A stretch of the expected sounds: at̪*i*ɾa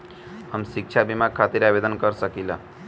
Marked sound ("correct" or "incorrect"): correct